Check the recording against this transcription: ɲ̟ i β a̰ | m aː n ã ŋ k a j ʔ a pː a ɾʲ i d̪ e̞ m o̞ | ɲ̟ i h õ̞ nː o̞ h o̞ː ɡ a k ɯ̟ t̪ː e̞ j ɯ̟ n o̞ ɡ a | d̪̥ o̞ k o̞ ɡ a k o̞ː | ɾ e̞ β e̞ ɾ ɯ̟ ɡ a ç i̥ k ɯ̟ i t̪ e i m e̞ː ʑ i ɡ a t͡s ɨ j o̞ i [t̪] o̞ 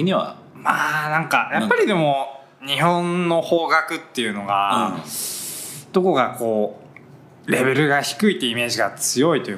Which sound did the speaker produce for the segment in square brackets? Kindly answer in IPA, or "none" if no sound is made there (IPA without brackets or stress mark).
t̪